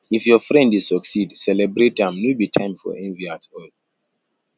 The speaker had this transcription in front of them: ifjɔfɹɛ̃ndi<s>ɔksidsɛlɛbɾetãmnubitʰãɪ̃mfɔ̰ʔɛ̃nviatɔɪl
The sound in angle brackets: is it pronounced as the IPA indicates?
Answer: yes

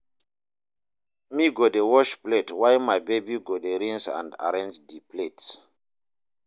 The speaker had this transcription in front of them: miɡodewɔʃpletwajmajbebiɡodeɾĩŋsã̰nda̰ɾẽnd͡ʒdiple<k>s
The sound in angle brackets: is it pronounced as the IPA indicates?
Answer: no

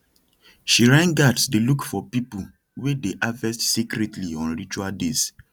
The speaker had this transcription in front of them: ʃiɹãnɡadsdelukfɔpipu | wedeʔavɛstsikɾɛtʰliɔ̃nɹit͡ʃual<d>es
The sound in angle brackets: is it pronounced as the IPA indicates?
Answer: yes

